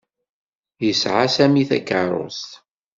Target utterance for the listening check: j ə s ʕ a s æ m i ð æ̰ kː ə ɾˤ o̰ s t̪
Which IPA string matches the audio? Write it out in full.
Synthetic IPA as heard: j ə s ʕ a s æ m i θ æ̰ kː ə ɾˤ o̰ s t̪